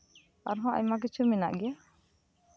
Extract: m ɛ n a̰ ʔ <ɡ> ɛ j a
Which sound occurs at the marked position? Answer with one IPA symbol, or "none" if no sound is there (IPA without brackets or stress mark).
ɡ